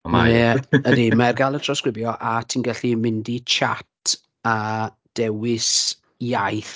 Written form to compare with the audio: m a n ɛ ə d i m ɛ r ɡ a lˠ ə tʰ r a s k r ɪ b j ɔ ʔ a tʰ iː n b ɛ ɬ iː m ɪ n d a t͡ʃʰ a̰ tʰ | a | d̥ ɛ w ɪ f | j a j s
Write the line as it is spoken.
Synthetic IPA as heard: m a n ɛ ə d i m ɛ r ɡ a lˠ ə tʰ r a s k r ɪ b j ɔ ʔ a tʰ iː n ɡ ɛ ɬ i m ɪ n d i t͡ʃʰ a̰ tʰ | a | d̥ ɛ w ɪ s | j a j θ